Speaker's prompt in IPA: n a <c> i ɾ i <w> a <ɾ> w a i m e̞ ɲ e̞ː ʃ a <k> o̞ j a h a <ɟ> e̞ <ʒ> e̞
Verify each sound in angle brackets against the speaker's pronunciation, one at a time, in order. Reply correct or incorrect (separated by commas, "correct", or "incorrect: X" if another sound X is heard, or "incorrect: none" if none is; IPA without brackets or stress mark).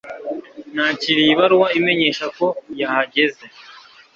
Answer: correct, incorrect: β, correct, correct, correct, incorrect: z